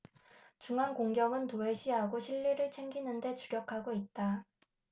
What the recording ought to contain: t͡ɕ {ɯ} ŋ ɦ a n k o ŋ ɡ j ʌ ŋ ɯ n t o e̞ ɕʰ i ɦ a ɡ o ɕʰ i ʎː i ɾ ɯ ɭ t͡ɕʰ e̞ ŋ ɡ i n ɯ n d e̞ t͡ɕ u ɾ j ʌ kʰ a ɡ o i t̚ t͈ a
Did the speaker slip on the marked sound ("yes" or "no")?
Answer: yes